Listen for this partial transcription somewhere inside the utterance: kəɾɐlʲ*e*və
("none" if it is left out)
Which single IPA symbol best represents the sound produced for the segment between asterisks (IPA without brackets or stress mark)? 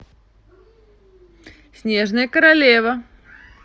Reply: e